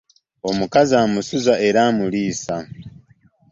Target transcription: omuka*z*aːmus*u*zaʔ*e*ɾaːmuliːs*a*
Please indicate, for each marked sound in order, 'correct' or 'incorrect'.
correct, correct, correct, correct

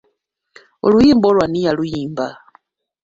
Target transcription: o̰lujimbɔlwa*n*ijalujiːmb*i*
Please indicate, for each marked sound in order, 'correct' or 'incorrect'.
correct, incorrect

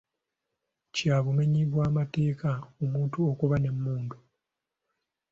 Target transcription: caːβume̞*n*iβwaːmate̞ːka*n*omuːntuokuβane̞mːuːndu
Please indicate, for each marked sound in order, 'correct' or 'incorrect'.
incorrect, incorrect

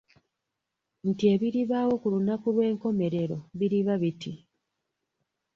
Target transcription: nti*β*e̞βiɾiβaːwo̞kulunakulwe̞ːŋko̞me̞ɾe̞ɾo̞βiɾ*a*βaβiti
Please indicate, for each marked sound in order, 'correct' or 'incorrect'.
incorrect, incorrect

